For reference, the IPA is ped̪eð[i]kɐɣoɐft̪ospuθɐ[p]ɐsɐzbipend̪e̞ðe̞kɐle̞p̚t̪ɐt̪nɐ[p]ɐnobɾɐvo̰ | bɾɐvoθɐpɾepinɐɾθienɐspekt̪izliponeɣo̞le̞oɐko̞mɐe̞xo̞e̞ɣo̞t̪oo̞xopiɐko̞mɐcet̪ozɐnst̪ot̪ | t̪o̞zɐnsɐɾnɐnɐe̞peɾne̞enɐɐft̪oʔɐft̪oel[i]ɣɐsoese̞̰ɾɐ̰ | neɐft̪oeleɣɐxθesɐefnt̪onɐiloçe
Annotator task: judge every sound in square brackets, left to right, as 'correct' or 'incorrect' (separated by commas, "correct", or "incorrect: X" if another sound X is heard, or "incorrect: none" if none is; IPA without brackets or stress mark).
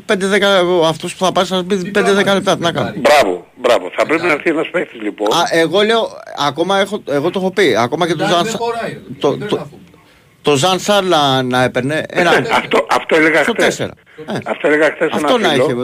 incorrect: e, correct, incorrect: k, incorrect: e